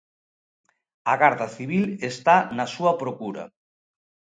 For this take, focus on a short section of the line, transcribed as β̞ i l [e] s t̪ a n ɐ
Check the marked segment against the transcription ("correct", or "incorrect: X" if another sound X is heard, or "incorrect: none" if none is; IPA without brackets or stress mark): correct